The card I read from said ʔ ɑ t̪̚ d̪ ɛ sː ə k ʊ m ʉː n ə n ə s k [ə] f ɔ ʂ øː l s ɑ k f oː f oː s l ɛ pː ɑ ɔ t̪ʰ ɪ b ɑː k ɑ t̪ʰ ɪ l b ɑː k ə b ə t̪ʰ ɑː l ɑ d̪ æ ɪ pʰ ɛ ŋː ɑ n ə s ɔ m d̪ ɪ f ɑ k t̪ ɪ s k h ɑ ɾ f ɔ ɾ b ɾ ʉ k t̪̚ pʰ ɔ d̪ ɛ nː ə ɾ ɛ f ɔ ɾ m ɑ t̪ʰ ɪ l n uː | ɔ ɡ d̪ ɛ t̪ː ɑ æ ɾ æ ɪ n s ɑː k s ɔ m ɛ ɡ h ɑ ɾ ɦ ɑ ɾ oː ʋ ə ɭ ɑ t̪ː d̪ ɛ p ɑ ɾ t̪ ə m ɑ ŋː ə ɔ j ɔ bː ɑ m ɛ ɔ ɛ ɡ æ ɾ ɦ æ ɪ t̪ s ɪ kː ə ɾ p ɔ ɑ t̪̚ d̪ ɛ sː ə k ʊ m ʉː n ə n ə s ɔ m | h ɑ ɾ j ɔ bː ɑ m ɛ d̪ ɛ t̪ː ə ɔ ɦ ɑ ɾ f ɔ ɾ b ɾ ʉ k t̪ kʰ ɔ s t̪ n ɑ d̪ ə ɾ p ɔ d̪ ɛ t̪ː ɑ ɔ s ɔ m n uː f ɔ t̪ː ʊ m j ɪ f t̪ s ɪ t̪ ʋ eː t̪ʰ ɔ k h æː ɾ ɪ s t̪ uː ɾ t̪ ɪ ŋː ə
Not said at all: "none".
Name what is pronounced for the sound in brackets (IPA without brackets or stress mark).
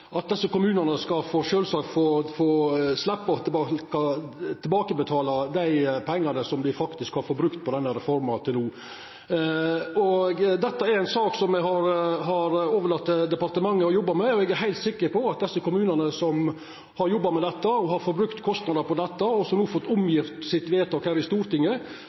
ɑ